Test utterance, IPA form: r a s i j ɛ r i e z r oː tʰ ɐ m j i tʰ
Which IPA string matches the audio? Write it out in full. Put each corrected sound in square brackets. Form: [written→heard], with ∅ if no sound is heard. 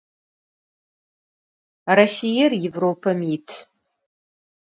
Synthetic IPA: r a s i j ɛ r [i→j] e [z→v] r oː [tʰ→pʰ] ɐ m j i tʰ